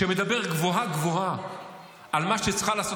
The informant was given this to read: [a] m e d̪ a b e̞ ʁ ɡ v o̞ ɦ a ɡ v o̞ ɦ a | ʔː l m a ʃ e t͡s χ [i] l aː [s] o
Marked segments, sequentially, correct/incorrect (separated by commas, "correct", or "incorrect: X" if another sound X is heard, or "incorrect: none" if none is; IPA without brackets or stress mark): incorrect: e, incorrect: a, correct